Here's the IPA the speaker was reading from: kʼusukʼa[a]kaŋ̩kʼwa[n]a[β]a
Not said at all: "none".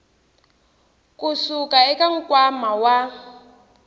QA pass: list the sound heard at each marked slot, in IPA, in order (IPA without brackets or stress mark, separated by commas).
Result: ɛ, m, w